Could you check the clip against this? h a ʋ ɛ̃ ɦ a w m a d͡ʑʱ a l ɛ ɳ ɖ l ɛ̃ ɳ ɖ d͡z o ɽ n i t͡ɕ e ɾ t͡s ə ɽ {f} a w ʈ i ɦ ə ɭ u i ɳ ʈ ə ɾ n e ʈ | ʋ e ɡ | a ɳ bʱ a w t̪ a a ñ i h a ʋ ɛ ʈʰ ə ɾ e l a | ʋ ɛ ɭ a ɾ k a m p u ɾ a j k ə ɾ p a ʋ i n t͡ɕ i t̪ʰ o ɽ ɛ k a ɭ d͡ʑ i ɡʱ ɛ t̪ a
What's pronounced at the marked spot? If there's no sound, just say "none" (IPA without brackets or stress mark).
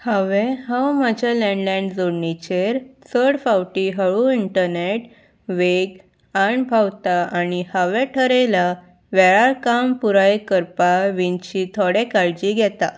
f